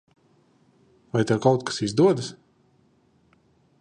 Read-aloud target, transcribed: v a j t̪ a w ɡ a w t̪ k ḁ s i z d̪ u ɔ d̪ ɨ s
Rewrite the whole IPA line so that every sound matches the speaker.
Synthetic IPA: v a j t̪ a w k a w t̪ k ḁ s i z d̪ u ɔ d̪ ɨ s